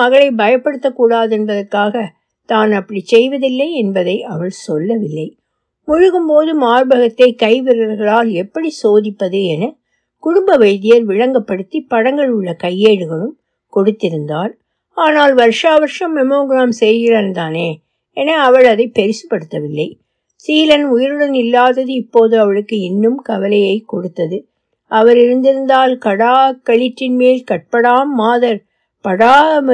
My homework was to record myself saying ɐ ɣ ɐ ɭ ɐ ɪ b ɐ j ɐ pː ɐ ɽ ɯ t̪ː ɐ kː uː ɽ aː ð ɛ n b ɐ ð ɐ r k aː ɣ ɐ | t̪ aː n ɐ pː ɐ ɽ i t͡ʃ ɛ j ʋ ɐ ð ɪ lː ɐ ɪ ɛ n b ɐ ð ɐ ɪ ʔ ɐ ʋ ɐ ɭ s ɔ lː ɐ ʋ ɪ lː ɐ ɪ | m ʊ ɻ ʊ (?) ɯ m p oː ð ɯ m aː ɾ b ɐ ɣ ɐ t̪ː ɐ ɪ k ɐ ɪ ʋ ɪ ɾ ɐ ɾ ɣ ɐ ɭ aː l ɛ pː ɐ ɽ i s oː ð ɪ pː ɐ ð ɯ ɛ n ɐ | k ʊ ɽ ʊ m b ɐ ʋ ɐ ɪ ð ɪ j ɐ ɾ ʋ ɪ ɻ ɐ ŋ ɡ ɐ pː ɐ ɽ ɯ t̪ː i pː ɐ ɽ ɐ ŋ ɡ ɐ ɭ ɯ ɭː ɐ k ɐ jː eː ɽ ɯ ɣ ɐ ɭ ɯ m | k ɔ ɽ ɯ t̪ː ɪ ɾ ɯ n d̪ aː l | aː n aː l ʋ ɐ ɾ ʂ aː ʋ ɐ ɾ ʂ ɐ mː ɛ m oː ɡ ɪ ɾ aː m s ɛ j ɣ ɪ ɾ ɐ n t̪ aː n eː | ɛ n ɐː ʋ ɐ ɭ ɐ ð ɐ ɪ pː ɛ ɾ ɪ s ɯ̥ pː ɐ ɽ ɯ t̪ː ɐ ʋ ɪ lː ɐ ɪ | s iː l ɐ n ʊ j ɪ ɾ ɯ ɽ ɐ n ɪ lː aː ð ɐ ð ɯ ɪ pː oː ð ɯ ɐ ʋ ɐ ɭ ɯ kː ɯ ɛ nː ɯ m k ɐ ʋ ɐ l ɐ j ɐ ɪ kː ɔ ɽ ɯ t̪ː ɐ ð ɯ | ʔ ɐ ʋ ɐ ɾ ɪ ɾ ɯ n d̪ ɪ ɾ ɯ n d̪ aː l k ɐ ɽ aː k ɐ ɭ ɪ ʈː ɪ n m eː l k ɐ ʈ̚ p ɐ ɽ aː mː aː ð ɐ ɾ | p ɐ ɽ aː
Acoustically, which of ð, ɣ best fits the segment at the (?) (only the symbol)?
ɣ